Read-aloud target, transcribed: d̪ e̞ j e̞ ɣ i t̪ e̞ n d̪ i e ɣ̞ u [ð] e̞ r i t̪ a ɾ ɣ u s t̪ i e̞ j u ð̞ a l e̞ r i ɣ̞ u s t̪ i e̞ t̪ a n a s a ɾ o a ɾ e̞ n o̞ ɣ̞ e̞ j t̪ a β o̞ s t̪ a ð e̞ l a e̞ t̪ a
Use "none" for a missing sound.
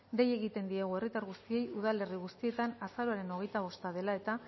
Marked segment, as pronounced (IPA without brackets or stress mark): none